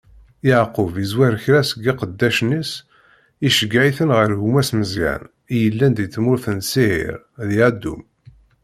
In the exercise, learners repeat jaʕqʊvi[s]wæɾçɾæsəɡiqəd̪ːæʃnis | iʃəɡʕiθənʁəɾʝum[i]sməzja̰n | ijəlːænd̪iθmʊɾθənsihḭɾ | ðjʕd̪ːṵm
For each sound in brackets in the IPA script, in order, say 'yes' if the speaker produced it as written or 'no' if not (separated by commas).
no, no